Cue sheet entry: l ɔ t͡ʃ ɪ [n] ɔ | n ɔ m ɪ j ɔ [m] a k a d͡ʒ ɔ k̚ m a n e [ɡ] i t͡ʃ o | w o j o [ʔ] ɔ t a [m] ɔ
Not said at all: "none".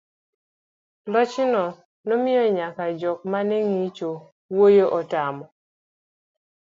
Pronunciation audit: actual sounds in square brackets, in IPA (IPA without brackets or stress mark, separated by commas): n, ɲ, ŋ, ʔ, m